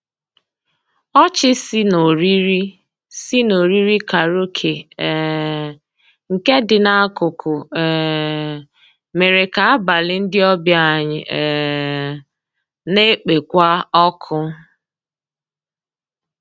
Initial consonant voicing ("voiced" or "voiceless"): voiceless